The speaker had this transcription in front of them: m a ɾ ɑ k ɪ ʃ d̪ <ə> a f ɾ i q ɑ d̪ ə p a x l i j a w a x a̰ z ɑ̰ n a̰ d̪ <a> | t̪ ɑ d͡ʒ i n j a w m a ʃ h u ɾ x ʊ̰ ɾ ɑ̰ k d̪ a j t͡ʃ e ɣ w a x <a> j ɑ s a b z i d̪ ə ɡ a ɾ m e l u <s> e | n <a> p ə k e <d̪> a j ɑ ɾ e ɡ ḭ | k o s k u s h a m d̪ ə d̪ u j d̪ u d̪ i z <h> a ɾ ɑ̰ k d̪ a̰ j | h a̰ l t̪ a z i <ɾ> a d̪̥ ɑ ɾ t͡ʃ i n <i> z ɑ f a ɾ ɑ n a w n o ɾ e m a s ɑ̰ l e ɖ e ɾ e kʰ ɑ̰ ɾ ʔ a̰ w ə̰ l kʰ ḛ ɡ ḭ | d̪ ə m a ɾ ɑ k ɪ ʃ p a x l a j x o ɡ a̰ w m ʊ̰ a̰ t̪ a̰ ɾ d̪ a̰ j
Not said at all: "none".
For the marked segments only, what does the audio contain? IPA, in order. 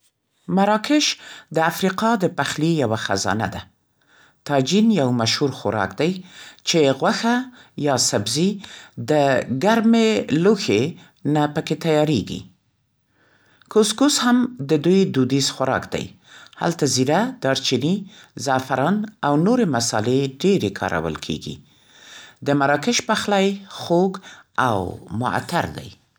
ə, a, a, x, a, t̪, x, ɾ, i

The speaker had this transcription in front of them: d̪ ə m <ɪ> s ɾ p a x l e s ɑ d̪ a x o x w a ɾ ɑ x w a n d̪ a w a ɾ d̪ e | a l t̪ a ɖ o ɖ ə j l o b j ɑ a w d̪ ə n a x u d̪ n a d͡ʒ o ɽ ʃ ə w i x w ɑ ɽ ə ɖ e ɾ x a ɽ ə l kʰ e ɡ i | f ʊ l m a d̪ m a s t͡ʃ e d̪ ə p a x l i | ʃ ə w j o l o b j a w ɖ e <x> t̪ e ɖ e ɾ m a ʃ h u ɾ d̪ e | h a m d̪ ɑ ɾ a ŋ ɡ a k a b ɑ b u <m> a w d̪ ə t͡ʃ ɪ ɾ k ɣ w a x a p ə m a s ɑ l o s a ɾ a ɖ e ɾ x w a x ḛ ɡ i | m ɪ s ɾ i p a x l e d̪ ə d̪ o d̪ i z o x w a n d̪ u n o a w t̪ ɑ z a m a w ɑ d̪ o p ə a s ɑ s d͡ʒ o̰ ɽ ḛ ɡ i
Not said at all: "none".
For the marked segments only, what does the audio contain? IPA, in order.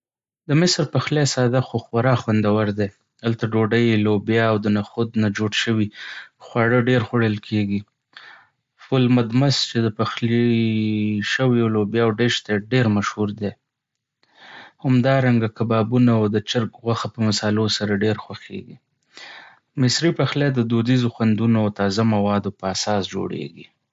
ɪ, ʃ, n

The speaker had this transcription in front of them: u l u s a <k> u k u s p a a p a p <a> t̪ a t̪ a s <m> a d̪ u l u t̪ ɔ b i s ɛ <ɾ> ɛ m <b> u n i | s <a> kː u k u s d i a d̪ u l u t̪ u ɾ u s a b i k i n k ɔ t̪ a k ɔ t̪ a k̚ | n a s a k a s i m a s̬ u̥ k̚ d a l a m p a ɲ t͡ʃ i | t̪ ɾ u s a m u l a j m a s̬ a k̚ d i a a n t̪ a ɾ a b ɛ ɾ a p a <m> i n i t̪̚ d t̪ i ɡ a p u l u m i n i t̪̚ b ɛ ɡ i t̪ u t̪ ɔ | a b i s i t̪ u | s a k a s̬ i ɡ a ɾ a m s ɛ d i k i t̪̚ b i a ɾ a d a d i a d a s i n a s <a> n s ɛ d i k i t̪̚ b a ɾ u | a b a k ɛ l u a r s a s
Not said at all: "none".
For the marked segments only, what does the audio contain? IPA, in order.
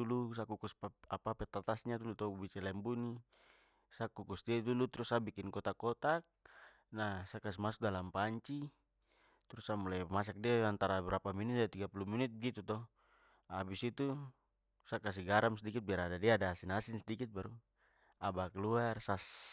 k, ɛ, ɲ, l, b, a, m, i

